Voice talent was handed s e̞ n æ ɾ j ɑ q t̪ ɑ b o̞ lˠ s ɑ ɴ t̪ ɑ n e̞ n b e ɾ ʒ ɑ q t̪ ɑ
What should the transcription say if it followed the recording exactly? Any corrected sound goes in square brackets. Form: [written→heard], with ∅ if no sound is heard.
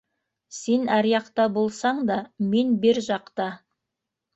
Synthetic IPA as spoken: s e̞ n æ ɾ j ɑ q t̪ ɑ b o̞ lˠ s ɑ ɴ [t̪→d̪] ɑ [n→m] e̞ n b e ɾ ʒ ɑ q t̪ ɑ